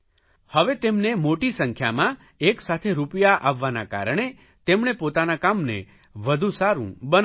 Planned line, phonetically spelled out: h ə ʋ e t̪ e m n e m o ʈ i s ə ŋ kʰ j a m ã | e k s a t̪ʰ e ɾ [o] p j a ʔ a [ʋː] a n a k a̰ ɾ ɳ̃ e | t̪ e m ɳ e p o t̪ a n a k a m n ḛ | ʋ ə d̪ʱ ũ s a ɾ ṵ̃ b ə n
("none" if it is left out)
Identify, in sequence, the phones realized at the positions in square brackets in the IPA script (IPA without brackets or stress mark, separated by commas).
u, ʋː